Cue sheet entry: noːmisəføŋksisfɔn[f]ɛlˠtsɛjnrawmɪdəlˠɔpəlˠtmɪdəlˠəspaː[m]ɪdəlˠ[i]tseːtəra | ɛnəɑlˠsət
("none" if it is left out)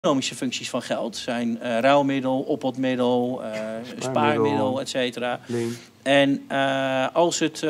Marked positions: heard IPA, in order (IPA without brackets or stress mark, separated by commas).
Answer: χ, m, ɛ